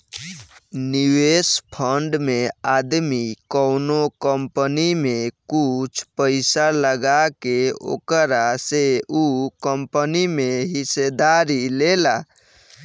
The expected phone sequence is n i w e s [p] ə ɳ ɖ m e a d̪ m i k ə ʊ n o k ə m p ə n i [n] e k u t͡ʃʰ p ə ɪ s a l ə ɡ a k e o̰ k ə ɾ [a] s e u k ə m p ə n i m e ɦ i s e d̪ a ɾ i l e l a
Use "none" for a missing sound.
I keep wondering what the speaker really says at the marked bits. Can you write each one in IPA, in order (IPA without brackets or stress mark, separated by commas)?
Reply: pʰ, m, a